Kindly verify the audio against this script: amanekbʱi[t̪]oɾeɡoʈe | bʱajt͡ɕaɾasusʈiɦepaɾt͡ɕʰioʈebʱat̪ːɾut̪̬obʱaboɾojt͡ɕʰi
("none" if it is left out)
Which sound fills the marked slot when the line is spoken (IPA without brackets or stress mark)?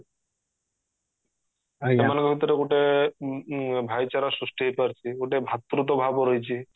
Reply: t̪